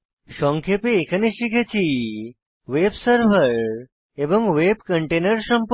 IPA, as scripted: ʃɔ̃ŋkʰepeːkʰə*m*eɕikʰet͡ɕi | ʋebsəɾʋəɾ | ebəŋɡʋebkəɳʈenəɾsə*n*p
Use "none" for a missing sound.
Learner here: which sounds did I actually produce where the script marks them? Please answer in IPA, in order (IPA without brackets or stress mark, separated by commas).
n, m